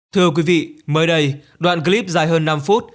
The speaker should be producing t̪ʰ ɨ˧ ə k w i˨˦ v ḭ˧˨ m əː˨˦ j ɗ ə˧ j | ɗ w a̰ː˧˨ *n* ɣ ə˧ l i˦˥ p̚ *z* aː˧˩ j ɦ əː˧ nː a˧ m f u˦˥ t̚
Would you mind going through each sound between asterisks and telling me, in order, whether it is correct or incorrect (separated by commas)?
correct, correct